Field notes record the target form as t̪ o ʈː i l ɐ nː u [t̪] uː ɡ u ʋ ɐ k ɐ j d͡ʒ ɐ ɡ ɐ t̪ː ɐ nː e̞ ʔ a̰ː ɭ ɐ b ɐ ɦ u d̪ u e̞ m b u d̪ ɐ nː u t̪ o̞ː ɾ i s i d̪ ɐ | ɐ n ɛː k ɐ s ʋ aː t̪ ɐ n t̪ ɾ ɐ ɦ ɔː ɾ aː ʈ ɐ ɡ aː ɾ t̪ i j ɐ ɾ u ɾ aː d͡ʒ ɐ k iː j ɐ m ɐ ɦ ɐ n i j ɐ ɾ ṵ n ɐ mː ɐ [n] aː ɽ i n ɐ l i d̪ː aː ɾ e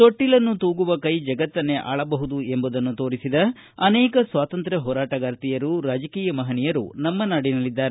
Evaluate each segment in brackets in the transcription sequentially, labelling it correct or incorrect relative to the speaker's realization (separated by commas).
correct, correct